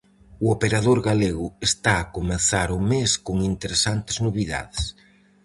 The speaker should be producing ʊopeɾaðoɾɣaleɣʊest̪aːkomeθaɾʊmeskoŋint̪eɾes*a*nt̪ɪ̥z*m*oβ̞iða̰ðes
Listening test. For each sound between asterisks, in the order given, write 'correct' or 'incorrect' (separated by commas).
correct, incorrect